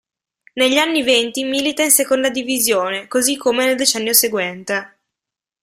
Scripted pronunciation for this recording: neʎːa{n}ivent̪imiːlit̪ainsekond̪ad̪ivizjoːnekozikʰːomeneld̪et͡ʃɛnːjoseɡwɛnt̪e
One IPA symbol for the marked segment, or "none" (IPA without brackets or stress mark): nː